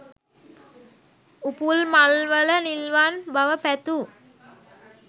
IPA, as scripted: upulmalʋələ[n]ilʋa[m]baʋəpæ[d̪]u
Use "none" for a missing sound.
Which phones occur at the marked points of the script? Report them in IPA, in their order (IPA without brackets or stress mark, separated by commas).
n, n, t̪